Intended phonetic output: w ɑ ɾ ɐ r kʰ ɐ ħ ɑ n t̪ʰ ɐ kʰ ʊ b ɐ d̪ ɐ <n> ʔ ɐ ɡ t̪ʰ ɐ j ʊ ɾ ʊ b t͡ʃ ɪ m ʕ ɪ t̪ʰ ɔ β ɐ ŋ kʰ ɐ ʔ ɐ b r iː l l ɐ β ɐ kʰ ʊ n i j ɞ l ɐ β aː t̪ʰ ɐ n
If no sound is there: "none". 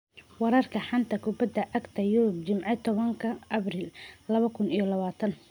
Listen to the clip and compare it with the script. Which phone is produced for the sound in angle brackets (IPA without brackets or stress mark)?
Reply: none